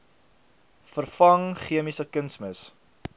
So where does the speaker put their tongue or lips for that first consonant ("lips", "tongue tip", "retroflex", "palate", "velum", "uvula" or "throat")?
lips